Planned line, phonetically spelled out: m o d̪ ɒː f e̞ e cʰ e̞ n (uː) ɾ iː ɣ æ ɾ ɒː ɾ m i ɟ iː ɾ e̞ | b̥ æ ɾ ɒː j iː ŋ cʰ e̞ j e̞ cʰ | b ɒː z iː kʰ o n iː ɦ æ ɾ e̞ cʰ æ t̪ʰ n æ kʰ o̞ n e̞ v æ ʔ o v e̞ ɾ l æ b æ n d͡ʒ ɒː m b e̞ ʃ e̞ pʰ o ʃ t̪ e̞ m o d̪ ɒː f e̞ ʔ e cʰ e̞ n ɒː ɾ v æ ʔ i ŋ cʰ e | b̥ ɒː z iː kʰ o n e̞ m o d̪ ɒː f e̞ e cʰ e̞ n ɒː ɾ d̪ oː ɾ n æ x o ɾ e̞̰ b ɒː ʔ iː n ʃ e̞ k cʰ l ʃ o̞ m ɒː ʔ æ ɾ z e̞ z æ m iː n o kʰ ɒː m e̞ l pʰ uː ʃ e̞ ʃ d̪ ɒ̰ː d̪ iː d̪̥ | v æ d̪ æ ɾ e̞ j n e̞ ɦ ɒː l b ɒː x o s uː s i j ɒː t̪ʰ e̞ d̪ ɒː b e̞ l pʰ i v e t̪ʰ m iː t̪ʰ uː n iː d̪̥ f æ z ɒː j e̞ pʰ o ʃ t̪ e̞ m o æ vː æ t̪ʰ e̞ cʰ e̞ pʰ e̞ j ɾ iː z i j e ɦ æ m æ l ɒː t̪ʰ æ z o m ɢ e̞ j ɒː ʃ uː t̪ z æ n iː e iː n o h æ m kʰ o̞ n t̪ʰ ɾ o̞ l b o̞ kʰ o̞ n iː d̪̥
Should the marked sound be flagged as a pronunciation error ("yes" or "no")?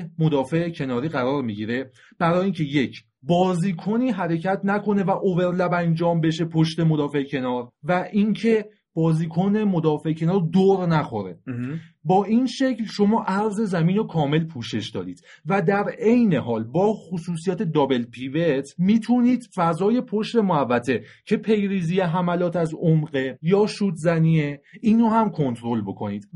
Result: yes